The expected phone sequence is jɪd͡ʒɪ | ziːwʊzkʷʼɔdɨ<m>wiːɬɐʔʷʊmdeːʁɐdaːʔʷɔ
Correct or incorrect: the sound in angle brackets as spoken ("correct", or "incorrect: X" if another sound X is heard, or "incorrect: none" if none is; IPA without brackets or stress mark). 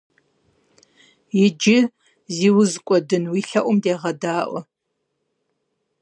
incorrect: n